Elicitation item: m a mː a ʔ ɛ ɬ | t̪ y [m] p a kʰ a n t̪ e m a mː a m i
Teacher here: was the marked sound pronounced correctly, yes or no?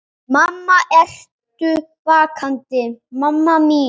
no